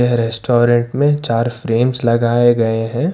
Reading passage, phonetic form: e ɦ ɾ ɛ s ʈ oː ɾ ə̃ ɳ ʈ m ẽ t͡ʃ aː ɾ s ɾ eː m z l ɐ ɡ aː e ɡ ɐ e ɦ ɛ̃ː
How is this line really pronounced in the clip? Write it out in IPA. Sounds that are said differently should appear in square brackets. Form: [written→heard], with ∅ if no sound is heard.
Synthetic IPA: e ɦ ɾ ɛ s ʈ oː ɾ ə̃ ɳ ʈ m ẽ t͡ʃ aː ɾ [s→f] ɾ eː m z l ɐ ɡ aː e ɡ ɐ e ɦ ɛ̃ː